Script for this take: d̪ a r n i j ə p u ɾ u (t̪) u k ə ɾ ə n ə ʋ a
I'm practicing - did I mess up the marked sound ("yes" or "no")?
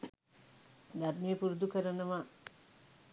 yes